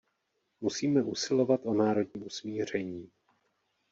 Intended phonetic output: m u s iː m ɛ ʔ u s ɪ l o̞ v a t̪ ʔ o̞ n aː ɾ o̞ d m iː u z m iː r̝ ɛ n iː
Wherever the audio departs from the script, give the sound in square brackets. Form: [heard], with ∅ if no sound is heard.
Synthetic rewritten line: m u s iː m ɛ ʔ u s ɪ l o̞ v a t̪ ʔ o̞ n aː ɾ o̞ d [ɲ] iː u [s] m iː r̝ ɛ [ɲ] iː